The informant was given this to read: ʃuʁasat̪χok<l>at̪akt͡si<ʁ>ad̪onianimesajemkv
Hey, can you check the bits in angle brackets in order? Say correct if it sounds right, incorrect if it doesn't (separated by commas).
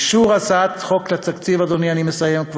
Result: correct, incorrect